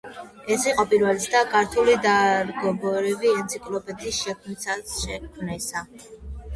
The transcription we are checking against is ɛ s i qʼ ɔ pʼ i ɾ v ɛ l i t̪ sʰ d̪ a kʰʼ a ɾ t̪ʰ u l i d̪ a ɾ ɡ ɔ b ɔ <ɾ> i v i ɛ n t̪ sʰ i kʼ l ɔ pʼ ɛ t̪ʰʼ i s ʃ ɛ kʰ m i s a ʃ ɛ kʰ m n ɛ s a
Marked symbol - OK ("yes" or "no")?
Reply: yes